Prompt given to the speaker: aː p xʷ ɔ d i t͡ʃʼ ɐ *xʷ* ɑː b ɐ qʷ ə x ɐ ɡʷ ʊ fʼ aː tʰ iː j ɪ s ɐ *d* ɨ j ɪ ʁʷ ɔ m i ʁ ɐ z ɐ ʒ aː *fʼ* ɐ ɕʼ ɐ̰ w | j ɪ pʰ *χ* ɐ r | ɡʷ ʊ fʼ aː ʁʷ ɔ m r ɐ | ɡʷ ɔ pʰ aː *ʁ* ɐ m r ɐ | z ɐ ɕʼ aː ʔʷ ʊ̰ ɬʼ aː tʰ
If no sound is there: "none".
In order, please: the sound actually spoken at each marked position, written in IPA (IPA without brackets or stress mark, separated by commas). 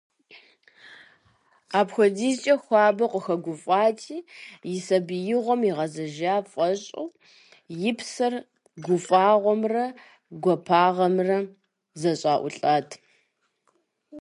xʷ, b, fʼ, s, ʁ